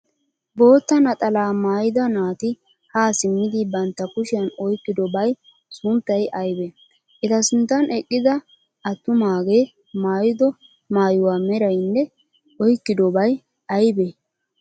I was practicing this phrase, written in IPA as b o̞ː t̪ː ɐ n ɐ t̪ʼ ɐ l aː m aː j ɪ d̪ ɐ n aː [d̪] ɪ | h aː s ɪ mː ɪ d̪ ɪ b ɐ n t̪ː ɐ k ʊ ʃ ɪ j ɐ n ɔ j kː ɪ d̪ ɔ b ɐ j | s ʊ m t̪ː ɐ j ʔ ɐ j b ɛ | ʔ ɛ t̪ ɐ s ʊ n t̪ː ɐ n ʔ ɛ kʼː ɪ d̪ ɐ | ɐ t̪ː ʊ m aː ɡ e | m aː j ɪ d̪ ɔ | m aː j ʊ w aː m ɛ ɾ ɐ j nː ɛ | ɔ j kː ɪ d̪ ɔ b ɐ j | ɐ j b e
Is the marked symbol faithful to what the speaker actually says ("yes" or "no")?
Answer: no